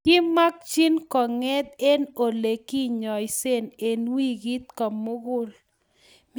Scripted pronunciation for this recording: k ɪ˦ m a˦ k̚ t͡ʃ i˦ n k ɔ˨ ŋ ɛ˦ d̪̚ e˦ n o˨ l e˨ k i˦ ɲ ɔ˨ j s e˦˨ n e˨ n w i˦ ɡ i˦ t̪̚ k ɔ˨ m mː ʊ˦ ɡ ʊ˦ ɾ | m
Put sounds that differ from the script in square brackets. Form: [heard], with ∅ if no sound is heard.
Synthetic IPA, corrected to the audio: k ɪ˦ m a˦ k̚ t͡ʃ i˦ n k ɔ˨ ŋ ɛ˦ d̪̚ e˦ n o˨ l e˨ k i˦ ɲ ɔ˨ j s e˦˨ n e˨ n w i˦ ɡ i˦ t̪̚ k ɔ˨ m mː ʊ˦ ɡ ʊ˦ [l] | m